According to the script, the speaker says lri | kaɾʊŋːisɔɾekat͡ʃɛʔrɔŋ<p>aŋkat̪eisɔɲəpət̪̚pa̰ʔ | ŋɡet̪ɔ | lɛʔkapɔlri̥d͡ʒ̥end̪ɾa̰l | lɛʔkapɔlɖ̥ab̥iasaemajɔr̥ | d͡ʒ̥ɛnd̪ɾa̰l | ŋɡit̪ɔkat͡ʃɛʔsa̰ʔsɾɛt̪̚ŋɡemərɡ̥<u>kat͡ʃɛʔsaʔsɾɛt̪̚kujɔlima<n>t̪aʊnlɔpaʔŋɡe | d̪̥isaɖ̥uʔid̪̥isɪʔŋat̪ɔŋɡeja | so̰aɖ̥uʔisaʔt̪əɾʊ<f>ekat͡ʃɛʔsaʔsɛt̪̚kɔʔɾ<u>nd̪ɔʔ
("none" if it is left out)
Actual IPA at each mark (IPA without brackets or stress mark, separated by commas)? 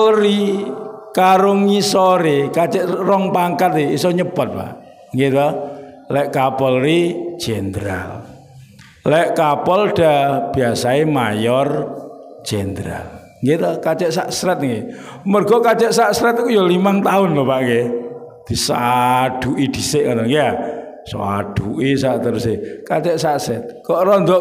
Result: p, ɔ, ŋ, s, ɔ